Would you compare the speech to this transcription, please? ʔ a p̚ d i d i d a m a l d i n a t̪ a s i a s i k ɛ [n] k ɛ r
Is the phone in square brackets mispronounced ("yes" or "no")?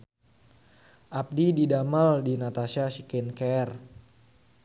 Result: no